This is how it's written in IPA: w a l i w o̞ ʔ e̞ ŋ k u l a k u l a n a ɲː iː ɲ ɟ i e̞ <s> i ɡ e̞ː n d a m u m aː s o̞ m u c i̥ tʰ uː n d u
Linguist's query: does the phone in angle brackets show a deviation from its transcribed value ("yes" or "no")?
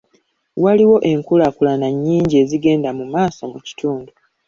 yes